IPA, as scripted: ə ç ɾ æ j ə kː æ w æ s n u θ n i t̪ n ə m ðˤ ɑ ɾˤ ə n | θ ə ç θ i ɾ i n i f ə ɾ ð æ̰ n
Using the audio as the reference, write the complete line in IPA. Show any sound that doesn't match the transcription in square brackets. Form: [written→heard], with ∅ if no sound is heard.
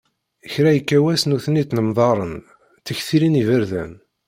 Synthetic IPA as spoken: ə ç ɾ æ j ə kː æ w æ s n u θ n i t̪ n ə m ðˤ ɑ ɾˤ ə n | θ ə ç θ i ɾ i n i [f→v] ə ɾ ð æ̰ n